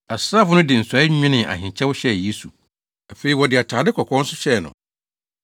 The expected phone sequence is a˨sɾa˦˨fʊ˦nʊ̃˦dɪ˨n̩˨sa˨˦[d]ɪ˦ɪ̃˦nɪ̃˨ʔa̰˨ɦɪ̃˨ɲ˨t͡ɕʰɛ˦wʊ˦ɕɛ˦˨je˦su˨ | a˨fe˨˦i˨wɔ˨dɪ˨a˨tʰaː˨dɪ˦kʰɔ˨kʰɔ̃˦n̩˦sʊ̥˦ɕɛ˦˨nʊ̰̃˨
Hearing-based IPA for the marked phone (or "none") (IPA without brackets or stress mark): none